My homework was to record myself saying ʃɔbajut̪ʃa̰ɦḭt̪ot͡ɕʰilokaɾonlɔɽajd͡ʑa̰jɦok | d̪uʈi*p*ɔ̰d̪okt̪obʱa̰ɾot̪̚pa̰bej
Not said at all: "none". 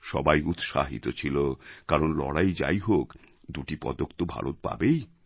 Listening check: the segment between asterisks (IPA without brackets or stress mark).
p